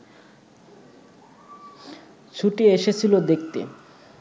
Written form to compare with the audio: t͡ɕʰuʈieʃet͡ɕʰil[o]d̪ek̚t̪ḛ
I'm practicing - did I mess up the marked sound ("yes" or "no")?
no